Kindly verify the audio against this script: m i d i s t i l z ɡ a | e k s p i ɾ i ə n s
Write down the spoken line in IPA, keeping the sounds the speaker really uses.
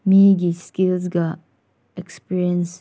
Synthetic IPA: m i ɡ i s k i l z ɡ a | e k s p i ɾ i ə n s